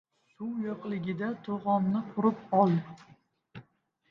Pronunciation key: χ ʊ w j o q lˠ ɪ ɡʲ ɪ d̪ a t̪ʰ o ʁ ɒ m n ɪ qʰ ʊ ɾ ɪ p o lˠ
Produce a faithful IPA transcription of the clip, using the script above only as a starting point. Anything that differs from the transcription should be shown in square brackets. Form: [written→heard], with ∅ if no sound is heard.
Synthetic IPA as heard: [χ→s] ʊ w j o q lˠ ɪ ɡʲ ɪ d̪ a t̪ʰ o ʁ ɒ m n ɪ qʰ ʊ ɾ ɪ p [o→ɒ] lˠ